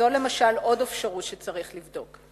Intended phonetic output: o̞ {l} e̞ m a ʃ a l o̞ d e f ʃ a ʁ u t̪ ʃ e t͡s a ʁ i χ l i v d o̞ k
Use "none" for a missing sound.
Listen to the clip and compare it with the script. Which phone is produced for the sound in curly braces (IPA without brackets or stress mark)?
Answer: l